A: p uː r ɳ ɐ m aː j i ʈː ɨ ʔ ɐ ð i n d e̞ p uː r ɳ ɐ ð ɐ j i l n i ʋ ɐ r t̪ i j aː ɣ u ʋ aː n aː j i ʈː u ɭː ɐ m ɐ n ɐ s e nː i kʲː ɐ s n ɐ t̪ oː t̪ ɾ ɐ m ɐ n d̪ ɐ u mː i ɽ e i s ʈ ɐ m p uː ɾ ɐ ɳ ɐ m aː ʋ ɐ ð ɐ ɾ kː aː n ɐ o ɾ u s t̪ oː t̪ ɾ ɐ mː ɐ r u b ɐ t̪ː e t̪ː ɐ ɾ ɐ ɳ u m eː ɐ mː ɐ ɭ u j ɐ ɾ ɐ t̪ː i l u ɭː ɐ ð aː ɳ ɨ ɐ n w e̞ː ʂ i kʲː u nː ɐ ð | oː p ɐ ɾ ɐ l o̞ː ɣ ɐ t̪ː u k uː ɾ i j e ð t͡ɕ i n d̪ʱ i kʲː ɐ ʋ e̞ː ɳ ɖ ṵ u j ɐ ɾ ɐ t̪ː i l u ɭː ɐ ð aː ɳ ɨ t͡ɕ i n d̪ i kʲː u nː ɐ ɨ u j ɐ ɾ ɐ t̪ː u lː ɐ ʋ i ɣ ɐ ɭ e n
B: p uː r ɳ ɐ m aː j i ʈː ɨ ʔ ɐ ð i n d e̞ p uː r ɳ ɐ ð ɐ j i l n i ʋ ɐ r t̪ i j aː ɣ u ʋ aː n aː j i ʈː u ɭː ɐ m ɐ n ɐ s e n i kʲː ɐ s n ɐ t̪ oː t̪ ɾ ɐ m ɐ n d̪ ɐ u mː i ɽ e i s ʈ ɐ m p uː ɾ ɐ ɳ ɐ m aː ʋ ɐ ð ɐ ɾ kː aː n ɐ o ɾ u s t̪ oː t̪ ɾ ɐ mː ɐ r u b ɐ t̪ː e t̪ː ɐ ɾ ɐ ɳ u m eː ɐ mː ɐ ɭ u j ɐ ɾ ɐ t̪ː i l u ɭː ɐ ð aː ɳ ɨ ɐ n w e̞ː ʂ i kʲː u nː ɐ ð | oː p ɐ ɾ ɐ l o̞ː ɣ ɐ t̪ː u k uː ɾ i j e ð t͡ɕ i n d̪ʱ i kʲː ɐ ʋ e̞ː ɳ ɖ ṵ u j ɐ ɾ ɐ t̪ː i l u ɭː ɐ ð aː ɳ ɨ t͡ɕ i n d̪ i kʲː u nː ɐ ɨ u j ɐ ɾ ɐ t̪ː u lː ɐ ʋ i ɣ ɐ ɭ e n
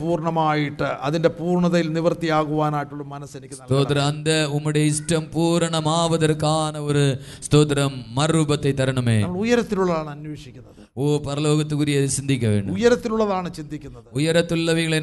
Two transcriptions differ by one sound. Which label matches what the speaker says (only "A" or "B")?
B